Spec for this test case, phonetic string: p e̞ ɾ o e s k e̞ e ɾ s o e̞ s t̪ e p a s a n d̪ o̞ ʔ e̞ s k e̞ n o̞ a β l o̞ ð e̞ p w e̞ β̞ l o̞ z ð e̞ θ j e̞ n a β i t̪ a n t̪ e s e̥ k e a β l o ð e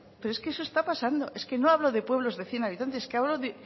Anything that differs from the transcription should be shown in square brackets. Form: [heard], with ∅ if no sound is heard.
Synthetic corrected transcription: p e̞ ɾ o e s k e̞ e [∅] s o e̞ s t̪ [a] p a s a n d̪ o̞ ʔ e̞ s k e̞ n o̞ a β l o̞ ð e̞ p w e̞ β̞ l o̞ z ð e̞ θ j e̞ n a β i t̪ a n t̪ e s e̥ k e a β l o ð e